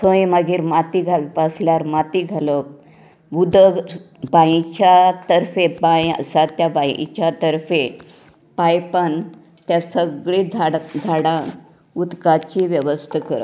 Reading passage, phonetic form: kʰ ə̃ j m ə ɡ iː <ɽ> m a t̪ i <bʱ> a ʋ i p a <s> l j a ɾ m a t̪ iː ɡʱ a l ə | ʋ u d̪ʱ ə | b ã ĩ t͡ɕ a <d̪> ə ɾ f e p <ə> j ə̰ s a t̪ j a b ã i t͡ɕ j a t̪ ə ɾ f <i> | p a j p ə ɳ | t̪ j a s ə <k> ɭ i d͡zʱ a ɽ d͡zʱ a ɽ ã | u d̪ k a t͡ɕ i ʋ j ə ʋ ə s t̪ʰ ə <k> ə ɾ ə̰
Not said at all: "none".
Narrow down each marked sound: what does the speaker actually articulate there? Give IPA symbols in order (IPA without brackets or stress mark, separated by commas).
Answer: ɾ, ɡʱ, s, t̪, a, e, ɡ, k